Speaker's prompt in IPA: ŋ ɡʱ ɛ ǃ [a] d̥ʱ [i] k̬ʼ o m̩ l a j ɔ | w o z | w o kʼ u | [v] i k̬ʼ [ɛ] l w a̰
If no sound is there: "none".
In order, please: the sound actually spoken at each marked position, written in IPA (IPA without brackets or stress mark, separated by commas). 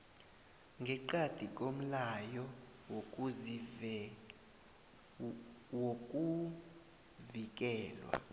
a, i, v, ɛː